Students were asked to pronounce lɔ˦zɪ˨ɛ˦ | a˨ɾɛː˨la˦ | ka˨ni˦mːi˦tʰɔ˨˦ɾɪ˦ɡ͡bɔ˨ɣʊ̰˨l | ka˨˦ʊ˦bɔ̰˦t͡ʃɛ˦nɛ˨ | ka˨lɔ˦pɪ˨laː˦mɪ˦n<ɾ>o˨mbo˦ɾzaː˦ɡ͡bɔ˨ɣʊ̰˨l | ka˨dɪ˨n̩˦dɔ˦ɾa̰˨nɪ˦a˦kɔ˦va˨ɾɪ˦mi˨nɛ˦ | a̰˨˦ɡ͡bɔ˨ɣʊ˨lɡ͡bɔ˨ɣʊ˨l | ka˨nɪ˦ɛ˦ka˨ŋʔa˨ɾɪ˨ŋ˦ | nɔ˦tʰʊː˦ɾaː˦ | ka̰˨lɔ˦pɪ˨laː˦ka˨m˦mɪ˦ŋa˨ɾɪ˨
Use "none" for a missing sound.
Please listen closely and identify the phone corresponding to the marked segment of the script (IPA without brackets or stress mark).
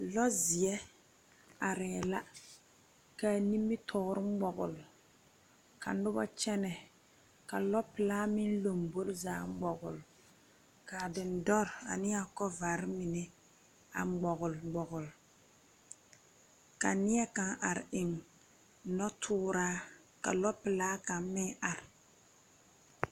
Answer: l